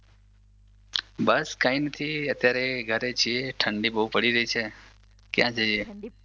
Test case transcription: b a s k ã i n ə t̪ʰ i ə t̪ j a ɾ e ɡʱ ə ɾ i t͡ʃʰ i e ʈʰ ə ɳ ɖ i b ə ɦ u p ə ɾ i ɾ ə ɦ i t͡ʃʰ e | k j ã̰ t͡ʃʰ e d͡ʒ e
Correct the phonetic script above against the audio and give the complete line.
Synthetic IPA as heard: b ə s k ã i n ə t̪ʰ i ə t̪ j a ɾ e ɡʱ ə ɾ e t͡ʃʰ i e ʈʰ ə ɳ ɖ i b ə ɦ u p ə ɽ i ɾ ə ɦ i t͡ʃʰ e | k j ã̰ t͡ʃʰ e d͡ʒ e